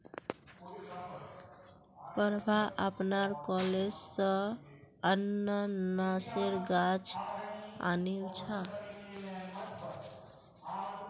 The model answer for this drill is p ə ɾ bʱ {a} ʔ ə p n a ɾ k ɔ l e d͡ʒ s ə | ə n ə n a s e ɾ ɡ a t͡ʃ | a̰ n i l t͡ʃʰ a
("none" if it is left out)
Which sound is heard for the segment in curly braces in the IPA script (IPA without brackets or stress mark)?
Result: a